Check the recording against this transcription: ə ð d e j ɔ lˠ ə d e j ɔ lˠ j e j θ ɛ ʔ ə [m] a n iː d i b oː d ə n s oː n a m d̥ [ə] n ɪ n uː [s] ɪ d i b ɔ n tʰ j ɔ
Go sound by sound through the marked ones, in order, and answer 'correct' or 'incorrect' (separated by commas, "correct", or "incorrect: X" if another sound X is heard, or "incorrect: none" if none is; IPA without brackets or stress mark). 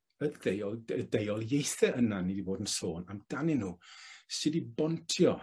incorrect: n, incorrect: a, correct